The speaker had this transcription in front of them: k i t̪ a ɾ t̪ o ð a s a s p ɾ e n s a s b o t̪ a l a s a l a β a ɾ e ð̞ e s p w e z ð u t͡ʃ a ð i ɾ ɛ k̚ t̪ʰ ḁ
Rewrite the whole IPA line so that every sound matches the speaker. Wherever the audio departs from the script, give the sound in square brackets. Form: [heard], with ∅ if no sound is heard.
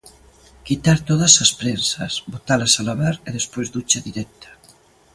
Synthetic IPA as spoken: k i t̪ a ɾ t̪ o ð a s a s p ɾ e n s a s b o t̪ a l a s a l a β a ɾ e ð̞ e s p w e z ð u t͡ʃ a ð i ɾ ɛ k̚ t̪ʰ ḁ